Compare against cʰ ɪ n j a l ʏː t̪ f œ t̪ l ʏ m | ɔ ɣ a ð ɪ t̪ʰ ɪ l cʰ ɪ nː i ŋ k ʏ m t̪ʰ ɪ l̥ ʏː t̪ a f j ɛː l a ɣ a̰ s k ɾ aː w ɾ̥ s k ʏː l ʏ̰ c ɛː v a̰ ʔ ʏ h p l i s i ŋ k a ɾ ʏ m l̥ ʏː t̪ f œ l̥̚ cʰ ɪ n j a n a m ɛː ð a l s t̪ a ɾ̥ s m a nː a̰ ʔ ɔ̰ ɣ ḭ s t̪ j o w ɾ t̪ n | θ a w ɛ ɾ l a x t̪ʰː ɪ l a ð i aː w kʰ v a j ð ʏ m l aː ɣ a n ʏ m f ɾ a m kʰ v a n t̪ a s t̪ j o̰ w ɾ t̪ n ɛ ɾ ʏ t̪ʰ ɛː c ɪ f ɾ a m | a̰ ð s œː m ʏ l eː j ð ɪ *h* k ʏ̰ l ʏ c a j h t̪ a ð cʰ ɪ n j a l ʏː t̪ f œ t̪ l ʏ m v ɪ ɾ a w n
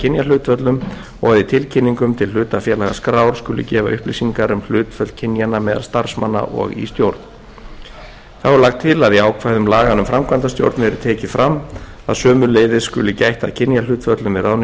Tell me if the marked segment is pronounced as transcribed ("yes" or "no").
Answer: no